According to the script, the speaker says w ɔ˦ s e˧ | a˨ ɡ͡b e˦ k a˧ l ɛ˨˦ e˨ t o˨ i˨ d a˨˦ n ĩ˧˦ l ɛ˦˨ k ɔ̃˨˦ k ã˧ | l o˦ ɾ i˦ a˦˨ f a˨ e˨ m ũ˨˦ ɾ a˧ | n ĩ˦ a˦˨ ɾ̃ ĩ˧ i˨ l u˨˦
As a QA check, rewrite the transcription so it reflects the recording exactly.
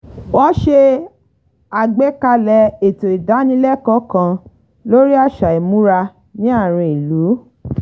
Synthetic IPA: w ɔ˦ ʃ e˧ | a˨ ɡ͡b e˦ k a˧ l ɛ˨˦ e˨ t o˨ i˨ d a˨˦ n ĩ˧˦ l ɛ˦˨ k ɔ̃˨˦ k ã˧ | l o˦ ɾ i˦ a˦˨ ʃ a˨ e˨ m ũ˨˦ ɾ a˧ | n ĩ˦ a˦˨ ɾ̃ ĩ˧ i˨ l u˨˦

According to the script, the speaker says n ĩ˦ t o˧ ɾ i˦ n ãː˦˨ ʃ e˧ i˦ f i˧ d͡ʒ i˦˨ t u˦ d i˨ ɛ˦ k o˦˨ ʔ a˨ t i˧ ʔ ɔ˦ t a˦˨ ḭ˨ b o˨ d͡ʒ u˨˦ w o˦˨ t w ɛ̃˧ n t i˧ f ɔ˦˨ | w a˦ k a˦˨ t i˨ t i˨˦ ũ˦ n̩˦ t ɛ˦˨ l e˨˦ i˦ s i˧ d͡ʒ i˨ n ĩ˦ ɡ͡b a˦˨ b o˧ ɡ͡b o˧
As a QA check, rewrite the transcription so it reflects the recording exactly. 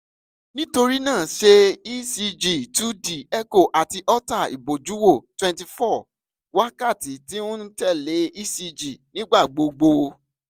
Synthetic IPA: n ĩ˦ t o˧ ɾ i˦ n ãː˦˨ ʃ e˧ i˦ s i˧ d͡ʒ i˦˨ t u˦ d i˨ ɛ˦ k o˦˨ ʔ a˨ t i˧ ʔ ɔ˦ t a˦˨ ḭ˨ b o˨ d͡ʒ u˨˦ w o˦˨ t w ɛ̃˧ n t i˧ f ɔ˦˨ | w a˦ k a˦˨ t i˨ t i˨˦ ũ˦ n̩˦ t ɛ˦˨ l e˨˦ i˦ s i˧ d͡ʒ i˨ n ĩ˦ ɡ͡b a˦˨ ɡ͡b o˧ ɡ͡b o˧

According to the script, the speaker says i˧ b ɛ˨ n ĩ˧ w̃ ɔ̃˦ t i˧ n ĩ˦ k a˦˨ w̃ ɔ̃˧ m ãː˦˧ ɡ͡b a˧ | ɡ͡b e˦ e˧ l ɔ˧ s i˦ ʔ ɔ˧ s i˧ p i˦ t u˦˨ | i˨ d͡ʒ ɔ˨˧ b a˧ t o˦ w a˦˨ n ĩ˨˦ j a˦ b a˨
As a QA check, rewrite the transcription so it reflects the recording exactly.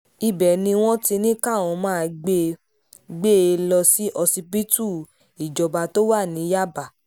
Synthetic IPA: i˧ b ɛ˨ n ĩ˧ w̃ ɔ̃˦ t i˧ n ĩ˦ k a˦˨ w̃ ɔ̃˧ m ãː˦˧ ɡ͡b e˧ | ɡ͡b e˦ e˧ l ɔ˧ s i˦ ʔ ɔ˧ s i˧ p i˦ t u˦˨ | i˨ d͡ʒ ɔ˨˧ b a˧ t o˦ w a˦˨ n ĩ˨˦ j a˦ b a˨

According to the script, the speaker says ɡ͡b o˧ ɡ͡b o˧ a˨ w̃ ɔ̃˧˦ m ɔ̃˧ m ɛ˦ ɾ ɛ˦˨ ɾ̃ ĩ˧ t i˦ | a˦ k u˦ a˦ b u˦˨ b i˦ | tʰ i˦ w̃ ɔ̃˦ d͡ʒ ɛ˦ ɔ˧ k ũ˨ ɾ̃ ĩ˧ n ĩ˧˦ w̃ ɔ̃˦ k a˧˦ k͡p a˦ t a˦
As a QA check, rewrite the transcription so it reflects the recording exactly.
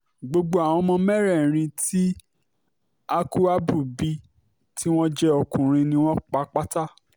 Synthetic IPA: ɡ͡b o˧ ɡ͡b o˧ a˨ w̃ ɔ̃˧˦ m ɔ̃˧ m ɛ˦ ɾ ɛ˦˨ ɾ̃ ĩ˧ t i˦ | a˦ k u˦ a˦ b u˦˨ b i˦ | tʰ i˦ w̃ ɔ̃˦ d͡ʒ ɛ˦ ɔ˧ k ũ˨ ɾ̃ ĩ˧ n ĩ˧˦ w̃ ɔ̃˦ k͡p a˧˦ k͡p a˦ t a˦

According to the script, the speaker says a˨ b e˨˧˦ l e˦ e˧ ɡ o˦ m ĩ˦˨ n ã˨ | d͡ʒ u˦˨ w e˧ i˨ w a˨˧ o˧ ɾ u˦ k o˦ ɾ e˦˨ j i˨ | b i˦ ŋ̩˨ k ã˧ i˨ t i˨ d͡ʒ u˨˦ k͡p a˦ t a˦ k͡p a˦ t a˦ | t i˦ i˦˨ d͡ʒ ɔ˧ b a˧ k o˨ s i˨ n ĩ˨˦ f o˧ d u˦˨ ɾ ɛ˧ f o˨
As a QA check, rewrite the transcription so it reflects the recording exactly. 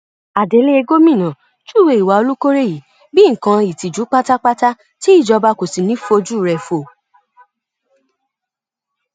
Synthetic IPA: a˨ d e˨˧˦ l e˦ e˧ ɡ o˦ m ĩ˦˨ n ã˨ | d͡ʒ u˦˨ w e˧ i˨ w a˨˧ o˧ l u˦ k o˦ ɾ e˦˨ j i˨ | b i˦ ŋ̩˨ k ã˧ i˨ t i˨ d͡ʒ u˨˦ k͡p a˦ t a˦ k͡p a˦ t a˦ | t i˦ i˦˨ d͡ʒ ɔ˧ b a˧ k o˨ s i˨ n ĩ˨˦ f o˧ d͡ʒ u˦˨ ɾ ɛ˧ f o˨

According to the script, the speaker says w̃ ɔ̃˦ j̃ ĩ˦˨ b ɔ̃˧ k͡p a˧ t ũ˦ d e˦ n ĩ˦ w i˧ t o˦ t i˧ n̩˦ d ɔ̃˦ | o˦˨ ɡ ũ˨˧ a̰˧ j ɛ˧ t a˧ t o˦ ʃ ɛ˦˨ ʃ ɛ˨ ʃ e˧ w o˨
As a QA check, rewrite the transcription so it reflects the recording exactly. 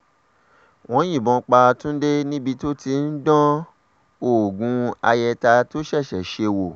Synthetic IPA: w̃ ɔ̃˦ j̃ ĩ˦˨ b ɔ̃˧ k͡p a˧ t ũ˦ d e˦ n ĩ˦ b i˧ t o˦ t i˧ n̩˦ d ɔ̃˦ | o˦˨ ɡ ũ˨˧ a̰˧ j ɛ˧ t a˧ t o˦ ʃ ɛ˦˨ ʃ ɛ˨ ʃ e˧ w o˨

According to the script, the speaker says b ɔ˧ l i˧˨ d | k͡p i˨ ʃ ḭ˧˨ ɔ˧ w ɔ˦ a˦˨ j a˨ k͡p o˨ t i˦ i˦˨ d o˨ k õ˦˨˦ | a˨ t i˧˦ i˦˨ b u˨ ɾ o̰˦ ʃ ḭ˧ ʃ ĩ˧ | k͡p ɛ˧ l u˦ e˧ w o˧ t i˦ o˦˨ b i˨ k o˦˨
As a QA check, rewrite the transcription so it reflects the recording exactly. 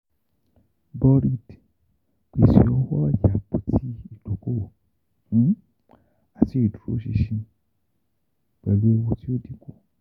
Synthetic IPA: b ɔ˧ ɾ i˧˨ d | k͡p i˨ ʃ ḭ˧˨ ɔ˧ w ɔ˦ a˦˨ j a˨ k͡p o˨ t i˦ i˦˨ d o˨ k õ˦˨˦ | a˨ t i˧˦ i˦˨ d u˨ ɾ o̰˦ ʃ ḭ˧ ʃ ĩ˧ | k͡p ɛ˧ l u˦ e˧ w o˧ t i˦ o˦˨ d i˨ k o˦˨

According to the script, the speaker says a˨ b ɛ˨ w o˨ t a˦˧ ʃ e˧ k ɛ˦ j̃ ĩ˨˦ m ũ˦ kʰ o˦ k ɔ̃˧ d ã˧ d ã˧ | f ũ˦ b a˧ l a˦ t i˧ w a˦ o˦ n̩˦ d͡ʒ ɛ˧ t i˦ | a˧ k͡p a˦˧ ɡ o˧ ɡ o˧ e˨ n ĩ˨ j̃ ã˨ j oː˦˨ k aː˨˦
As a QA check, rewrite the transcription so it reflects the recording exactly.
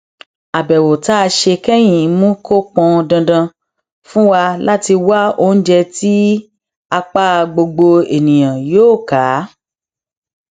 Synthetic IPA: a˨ b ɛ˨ w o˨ t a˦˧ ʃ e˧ k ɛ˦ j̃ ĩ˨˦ m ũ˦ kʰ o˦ k͡p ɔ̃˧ d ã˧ d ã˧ | f ũ˦ w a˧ l a˦ t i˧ w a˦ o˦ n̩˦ d͡ʒ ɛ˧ t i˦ | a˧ k͡p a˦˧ ɡ͡b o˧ ɡ͡b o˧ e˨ n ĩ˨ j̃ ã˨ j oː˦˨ k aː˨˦

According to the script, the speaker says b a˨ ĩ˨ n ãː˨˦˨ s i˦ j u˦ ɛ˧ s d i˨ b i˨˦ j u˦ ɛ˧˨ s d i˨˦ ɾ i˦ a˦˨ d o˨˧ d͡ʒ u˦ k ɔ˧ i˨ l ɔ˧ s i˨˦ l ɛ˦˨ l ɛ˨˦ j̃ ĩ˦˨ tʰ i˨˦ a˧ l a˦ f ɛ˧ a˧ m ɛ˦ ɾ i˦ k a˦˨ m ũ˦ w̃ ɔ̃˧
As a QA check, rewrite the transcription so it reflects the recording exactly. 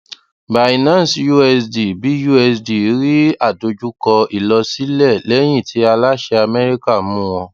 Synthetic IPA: b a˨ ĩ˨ n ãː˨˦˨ s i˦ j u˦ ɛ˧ s d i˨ b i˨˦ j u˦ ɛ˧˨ s d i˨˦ ɾ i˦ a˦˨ d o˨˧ d͡ʒ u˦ k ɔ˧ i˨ l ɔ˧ s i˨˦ l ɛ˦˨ l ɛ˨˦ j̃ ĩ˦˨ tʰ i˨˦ a˧ l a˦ ʃ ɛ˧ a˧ m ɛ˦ ɾ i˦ k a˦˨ m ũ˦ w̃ ɔ̃˧

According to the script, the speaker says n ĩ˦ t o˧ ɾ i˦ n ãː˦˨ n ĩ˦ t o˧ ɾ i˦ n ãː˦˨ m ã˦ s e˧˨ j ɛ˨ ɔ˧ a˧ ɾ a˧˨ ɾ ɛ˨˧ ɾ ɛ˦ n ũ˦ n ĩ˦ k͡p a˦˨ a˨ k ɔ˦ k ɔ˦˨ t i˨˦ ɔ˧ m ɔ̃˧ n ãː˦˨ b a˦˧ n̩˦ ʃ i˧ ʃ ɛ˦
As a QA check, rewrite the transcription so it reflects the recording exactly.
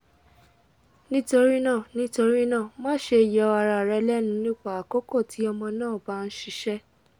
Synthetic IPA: n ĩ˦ t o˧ ɾ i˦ n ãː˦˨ n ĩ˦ t o˧ ɾ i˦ n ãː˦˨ m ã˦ ʃ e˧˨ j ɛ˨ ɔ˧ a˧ ɾ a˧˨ ɾ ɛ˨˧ l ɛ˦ n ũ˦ n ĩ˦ k͡p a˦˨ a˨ k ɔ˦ k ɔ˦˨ t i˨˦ ɔ˧ m ɔ̃˧ n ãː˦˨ b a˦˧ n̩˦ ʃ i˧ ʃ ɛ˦

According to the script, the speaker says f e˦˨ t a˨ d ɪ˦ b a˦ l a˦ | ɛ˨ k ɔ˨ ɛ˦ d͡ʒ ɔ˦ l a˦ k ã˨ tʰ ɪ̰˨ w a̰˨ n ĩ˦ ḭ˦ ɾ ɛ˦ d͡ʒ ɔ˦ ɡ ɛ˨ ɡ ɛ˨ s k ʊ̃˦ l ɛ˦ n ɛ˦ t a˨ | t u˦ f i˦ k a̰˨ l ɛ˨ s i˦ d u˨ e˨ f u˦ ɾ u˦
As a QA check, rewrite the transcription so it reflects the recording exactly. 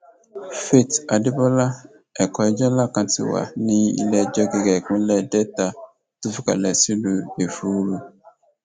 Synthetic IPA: f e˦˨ t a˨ d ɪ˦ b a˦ l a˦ | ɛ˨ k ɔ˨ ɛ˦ d͡ʒ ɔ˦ l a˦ k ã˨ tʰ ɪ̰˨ w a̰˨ n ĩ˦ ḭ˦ l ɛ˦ d͡ʒ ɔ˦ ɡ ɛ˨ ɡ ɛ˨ k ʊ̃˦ l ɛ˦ d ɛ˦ t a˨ | t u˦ f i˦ k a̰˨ l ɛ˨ s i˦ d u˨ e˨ f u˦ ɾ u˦

